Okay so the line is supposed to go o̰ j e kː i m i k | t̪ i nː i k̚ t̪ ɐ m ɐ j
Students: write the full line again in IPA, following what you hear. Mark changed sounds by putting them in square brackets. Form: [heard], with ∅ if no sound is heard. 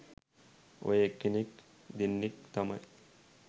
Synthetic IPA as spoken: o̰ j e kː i [n] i k | [d̪] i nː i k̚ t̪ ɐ m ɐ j